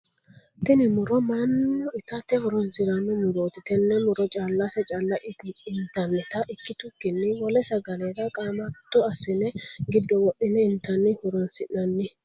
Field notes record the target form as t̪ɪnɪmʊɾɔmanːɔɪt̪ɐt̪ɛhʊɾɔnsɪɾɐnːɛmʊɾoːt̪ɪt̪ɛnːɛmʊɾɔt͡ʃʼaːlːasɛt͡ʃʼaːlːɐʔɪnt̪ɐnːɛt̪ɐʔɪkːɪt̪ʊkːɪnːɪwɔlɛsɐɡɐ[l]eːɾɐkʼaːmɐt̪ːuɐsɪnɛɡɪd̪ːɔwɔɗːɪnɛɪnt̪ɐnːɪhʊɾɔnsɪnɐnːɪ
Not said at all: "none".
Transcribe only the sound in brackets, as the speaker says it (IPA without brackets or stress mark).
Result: l